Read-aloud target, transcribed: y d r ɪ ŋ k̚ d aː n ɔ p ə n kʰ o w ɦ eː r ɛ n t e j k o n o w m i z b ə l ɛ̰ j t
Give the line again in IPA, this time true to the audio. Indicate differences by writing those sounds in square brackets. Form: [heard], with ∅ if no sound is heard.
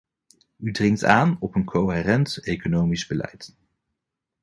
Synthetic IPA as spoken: y d r ɪ ŋ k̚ [t] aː n ɔ p ə n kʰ o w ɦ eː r ɛ n t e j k o n o w m i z b ə l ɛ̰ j t